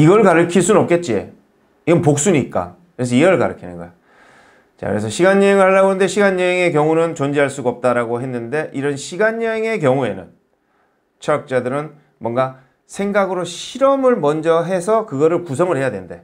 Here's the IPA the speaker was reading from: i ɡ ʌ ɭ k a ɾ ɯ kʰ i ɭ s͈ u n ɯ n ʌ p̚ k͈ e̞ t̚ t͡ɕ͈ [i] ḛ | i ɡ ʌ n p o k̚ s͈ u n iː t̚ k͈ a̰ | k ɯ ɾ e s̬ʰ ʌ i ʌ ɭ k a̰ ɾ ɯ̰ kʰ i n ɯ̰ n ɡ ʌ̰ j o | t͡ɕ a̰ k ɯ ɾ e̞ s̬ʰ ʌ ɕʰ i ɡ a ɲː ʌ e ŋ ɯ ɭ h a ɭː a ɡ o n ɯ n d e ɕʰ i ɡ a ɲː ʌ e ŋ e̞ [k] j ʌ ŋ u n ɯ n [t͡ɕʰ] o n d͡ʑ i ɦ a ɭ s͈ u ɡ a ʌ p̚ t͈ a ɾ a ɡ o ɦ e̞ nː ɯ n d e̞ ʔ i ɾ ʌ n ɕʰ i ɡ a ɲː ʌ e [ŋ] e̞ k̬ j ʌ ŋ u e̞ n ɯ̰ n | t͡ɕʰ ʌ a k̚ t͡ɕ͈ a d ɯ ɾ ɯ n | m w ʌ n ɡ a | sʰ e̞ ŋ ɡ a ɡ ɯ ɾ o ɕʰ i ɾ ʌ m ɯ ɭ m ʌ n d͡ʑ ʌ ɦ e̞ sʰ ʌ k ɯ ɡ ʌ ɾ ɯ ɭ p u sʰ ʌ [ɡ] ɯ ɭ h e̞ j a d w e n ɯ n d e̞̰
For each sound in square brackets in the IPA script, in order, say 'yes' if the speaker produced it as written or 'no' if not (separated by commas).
yes, yes, no, yes, no